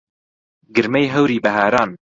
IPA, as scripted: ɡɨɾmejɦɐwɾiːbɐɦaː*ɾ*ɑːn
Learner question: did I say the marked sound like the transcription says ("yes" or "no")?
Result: yes